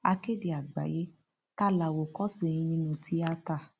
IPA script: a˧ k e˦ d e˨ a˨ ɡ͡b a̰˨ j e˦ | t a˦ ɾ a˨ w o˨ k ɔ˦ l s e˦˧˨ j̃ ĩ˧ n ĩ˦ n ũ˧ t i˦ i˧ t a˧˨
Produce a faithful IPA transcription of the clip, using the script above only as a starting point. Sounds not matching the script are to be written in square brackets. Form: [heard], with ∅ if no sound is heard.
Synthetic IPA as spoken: a˧ k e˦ d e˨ a˨ ɡ͡b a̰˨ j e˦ | t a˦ [l] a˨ w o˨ k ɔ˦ [∅] s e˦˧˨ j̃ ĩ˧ n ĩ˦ n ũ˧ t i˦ [a˧] t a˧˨